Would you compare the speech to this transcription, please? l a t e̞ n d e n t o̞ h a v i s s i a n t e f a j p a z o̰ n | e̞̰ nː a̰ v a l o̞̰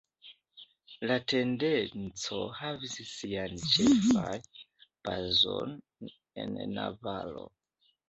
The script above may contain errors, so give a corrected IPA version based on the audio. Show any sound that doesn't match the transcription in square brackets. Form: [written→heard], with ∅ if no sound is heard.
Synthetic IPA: l a t e̞ n d e n [t→t͡s] o̞ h a v i s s i a n [t→t͡ʃ] e f a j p a z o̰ n | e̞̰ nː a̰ v a l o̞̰